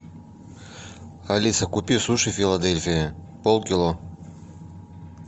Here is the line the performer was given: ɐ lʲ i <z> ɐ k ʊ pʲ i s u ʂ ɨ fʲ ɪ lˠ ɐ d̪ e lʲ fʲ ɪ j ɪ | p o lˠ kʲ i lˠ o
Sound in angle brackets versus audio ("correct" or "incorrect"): incorrect